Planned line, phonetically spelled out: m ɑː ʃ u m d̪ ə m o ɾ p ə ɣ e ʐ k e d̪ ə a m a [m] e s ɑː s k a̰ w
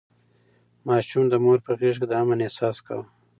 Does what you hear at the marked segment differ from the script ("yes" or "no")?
yes